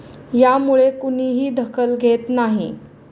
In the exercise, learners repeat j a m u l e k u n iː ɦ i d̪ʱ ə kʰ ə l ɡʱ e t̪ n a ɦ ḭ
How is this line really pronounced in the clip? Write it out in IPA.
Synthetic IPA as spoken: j a m u ɭ e k u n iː ɦ iː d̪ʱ ə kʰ ə l ɡʱ e t̪ n a ɦ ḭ